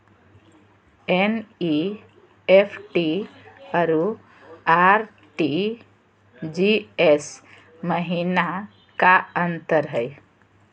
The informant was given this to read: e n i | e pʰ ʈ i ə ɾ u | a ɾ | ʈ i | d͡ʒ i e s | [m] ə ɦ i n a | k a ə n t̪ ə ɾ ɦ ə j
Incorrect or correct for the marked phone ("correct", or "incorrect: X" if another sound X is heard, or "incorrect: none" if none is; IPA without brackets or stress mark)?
correct